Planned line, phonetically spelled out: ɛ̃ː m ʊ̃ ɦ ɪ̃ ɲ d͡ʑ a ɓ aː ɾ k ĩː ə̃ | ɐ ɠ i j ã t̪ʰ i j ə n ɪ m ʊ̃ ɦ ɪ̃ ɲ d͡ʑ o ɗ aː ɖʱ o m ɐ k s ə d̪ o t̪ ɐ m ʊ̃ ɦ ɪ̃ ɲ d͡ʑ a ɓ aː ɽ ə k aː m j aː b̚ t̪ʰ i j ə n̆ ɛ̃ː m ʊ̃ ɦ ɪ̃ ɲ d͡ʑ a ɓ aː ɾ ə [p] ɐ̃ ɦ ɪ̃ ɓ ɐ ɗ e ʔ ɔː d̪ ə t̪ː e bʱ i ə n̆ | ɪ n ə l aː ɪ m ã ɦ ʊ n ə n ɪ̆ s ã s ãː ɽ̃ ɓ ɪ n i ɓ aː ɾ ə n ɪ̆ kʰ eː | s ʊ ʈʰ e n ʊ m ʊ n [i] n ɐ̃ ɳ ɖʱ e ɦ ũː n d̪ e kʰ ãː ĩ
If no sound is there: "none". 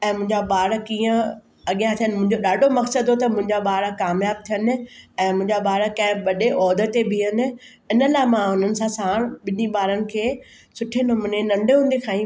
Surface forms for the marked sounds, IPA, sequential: k, e

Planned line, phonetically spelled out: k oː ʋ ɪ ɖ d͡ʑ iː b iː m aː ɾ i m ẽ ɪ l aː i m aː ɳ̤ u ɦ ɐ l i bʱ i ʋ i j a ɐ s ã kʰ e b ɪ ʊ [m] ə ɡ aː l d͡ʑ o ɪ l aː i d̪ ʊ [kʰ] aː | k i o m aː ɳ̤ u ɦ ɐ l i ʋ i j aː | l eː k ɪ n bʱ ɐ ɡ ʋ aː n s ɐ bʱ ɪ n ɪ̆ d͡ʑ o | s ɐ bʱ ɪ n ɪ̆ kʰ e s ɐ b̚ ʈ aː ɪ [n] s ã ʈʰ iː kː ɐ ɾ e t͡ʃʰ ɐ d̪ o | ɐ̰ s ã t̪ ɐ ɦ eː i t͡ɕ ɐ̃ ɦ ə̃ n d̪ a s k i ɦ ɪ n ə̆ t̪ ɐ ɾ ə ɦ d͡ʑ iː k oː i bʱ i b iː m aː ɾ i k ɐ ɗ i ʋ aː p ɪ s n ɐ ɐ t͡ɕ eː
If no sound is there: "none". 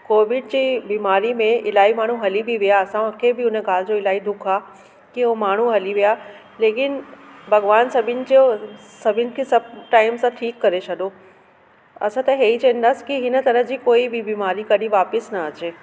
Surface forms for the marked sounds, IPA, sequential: n, kʰ, m

